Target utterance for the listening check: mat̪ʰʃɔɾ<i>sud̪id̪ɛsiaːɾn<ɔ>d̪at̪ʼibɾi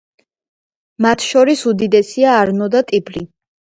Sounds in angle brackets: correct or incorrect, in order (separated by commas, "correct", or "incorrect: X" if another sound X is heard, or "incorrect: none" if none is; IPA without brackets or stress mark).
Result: correct, correct